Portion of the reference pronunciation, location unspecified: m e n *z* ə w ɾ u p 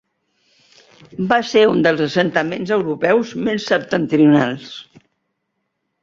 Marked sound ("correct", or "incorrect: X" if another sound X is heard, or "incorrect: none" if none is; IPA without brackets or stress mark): correct